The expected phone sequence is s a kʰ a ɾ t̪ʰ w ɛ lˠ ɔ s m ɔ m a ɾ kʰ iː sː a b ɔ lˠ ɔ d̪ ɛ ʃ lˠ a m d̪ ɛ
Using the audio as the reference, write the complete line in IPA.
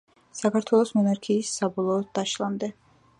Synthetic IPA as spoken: s a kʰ a ɾ t̪ʰ w ɛ lˠ ɔ s m ɔ n a ɾ kʰ iː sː a b ɔ lˠ ɔː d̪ a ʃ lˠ a m d̪ ɛ